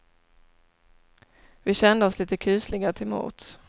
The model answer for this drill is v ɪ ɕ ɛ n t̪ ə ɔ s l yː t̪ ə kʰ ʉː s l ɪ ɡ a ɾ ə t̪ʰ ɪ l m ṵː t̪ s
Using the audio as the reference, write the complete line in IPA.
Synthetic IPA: v ɪ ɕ ɛ n d̪ ə ɔ s l iː t̪ ə kʰ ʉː s l ɪ ɡ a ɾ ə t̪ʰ ɪ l m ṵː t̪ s